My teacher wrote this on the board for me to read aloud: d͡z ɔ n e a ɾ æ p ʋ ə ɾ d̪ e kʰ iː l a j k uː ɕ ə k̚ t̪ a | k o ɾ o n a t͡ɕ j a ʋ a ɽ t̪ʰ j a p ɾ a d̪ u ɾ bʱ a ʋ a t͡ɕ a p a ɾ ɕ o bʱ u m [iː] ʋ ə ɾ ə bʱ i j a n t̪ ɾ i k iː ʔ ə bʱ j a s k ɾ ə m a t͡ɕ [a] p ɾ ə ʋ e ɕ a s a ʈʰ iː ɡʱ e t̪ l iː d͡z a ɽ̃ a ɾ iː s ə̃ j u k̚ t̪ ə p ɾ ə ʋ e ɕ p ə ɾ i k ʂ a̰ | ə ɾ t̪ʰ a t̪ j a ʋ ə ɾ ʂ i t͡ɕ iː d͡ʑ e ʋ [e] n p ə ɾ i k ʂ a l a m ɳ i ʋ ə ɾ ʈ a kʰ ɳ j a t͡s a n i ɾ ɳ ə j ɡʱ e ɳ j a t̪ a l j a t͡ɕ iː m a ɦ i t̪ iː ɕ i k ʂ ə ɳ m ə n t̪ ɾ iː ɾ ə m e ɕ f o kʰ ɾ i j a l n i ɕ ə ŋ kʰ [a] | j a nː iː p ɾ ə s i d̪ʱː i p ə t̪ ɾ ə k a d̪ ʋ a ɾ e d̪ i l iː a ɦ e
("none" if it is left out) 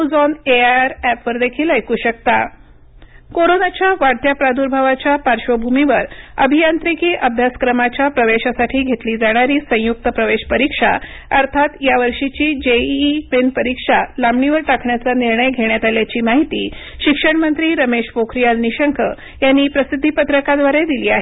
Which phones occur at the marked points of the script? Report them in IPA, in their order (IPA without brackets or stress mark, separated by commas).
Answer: i, a, e, ə